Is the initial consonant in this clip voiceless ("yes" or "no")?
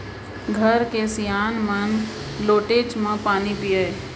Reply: no